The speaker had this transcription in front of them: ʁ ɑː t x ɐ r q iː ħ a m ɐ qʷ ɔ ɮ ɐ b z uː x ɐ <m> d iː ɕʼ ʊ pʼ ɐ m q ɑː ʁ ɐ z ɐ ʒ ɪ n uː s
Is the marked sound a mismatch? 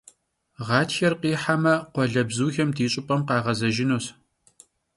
no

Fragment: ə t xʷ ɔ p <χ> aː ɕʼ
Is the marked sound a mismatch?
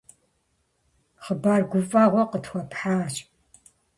yes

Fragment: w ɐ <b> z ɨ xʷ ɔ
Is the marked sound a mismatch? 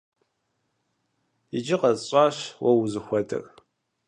yes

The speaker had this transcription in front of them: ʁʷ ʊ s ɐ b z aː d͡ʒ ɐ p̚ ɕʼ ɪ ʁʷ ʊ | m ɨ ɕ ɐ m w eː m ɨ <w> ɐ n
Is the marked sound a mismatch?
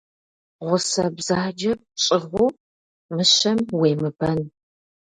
yes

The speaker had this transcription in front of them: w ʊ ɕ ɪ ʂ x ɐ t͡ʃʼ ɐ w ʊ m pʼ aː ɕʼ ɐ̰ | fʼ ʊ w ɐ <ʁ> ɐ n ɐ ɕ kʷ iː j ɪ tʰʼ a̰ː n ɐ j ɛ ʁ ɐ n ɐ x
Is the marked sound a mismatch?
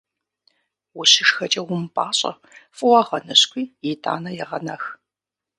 no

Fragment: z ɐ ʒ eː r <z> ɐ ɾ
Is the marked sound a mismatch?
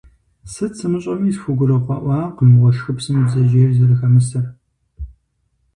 no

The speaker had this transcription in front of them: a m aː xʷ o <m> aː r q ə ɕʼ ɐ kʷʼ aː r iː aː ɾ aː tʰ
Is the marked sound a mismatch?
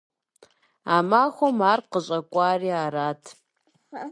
no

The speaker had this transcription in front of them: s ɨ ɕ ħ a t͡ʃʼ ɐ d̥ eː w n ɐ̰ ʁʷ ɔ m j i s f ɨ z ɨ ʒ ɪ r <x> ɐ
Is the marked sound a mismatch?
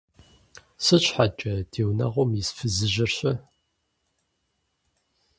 yes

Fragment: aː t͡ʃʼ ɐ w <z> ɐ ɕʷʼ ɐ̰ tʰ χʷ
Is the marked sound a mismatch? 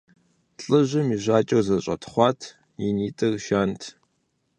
no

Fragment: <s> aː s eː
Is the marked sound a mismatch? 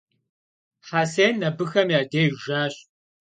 yes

